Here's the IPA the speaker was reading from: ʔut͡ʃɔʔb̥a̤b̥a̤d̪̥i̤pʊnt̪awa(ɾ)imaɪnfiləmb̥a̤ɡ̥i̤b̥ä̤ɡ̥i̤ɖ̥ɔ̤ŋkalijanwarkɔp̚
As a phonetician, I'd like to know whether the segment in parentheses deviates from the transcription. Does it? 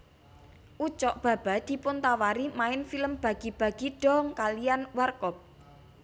no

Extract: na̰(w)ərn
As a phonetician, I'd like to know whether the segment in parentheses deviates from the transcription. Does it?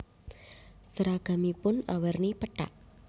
no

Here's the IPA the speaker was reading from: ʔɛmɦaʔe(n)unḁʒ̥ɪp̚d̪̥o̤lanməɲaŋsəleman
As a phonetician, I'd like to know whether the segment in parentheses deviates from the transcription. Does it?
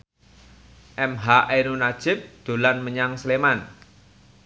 no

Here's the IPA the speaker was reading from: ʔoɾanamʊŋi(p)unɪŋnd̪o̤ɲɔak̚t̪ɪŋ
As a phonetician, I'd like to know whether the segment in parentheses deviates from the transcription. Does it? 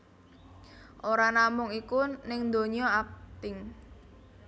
yes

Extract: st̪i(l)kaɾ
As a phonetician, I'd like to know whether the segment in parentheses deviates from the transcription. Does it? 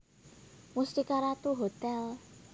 yes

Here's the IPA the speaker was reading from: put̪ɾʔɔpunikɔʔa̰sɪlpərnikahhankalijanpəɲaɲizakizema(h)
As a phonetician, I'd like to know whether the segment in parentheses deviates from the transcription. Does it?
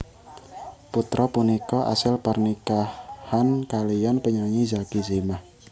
no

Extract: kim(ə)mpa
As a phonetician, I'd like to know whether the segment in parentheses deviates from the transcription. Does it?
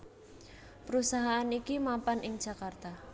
yes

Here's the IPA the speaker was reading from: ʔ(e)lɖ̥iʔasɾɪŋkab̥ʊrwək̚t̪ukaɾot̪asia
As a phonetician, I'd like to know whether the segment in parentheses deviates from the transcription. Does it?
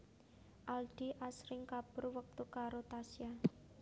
yes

